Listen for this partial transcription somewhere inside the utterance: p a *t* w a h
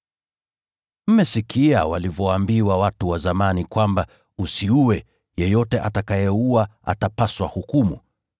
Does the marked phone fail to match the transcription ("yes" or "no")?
yes